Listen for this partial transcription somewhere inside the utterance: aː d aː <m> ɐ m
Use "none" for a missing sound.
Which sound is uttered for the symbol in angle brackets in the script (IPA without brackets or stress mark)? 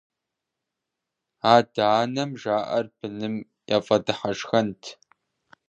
n